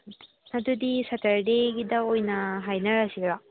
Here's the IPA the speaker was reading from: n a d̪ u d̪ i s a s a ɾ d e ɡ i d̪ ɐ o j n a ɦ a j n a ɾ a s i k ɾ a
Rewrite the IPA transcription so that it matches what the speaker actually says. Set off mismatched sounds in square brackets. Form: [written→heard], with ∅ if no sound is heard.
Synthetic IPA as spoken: n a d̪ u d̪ i s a [s→t] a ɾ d e ɡ i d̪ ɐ o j n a ɦ a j n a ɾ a s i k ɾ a